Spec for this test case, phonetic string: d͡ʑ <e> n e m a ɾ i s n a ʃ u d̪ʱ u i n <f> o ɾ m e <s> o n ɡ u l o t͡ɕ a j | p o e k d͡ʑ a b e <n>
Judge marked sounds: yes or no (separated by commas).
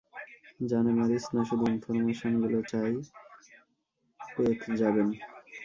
no, yes, no, yes